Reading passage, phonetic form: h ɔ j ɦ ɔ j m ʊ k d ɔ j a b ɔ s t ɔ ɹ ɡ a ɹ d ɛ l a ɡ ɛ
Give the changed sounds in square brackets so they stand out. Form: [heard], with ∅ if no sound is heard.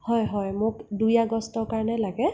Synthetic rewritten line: h ɔ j ɦ ɔ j m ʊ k d [u] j a [ɡ] ɔ s t ɔ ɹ [k] a ɹ [n] ɛ l a ɡ ɛ